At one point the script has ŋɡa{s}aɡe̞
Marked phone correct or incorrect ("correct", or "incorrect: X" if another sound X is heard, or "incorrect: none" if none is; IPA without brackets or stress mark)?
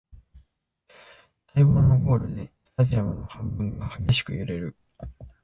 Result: incorrect: h